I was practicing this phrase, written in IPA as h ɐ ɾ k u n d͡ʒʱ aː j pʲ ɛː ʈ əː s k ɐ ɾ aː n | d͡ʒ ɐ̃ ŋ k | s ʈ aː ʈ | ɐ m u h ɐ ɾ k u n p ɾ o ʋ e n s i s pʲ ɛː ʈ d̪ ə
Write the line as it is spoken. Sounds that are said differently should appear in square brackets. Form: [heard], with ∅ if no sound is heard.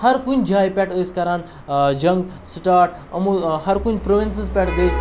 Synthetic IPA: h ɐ ɾ k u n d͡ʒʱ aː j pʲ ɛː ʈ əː s k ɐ ɾ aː n | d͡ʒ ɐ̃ ŋ [ɡ] | s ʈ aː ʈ | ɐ m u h ɐ ɾ k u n p ɾ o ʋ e n s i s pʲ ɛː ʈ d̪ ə